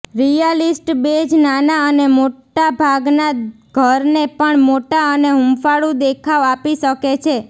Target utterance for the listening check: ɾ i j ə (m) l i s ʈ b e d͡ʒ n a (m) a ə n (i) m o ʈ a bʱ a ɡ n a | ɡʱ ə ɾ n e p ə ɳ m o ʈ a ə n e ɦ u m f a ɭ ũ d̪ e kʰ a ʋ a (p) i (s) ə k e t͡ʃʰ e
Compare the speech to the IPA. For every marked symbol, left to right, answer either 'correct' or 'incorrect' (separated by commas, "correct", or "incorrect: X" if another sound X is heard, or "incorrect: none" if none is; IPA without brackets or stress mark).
incorrect: none, incorrect: n, incorrect: e, correct, incorrect: ʃ